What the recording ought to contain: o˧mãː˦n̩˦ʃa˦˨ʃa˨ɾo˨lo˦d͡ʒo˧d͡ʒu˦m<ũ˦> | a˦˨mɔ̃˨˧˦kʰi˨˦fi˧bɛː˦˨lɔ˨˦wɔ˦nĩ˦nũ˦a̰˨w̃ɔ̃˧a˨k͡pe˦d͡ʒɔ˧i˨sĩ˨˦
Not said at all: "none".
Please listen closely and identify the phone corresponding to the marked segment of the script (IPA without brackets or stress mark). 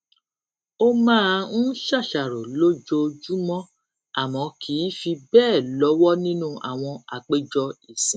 ɔ̃˦